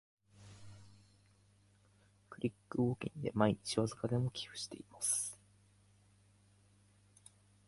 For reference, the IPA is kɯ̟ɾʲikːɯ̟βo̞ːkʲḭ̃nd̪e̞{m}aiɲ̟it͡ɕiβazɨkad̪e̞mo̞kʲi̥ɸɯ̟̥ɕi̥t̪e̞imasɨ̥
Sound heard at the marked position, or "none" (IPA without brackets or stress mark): m